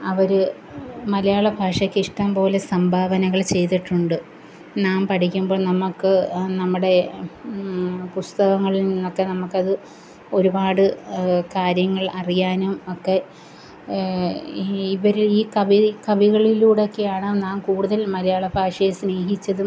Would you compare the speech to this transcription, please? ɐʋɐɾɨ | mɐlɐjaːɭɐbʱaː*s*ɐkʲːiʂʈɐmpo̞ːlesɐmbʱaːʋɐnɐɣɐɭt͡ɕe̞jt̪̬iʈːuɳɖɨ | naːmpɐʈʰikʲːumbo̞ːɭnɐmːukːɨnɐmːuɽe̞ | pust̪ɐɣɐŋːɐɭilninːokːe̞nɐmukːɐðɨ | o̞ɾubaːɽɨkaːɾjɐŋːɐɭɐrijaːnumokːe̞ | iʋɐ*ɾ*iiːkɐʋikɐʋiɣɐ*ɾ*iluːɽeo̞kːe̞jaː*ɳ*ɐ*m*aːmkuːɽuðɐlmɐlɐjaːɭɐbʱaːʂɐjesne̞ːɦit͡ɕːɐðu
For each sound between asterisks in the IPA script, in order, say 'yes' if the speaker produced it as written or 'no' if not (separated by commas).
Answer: no, yes, no, yes, no